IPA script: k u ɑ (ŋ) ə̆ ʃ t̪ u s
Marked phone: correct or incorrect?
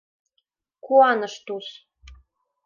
incorrect